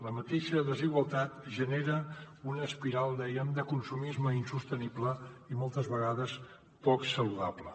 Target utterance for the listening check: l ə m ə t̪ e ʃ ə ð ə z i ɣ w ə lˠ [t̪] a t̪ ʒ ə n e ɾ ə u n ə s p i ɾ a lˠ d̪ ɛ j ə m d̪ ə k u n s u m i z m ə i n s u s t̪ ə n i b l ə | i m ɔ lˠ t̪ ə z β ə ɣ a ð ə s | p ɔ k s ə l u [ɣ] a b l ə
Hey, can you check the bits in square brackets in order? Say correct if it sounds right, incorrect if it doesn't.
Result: correct, incorrect

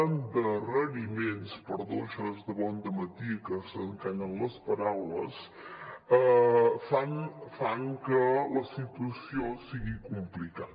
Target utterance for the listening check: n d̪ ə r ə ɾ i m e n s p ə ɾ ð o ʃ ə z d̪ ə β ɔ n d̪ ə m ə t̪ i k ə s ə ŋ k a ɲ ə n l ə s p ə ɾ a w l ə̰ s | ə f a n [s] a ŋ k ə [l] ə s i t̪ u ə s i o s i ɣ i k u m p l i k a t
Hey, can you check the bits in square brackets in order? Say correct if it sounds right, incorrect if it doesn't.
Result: incorrect, correct

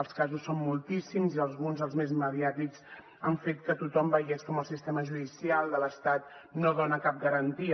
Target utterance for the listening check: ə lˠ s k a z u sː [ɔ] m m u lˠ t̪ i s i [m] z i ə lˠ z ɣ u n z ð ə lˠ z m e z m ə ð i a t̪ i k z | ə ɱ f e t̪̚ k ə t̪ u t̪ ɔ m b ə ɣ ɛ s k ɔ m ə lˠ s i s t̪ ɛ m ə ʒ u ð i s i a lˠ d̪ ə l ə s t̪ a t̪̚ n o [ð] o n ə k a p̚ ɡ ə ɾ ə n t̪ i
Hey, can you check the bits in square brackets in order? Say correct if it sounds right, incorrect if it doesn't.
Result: incorrect, correct, correct

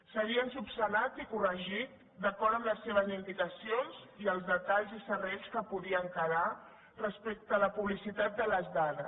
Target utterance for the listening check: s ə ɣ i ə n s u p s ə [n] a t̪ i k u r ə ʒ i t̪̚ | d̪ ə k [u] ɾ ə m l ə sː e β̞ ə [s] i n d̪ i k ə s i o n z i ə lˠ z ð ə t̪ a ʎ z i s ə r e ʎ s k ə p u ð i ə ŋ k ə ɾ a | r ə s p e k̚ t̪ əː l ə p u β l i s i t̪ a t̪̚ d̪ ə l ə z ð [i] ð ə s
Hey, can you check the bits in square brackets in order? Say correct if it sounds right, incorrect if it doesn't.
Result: correct, incorrect, incorrect, incorrect

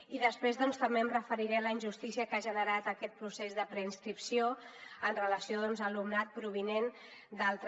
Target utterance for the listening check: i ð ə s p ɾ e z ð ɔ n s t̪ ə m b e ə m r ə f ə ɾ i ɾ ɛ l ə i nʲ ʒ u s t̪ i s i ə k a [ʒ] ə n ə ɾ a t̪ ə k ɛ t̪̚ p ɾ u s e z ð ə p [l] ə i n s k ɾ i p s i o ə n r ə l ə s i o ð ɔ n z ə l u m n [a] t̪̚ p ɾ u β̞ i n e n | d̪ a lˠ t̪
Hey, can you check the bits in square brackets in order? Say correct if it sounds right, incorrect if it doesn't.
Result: correct, incorrect, correct

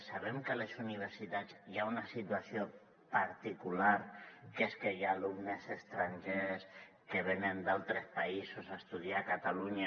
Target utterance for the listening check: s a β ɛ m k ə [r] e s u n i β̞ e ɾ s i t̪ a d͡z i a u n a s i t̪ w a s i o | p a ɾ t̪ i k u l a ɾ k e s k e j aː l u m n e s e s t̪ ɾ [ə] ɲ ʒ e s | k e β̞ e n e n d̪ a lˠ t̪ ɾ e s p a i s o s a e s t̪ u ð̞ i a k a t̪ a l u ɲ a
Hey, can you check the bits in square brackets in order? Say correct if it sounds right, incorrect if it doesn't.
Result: incorrect, incorrect

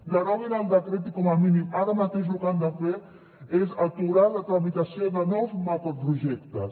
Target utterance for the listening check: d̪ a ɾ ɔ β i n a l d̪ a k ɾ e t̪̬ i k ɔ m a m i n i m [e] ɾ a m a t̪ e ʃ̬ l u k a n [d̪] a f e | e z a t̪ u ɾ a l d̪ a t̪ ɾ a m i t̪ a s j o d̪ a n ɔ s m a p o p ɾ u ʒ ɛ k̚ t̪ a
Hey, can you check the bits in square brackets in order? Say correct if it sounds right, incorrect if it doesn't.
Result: incorrect, correct

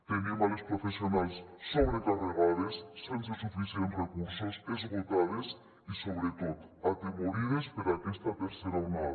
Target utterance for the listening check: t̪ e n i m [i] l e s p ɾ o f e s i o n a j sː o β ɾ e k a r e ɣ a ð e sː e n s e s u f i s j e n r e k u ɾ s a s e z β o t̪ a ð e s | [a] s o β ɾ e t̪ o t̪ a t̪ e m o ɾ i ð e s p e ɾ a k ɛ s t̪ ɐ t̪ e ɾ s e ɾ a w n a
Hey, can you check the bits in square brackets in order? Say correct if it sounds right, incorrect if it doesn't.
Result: incorrect, incorrect

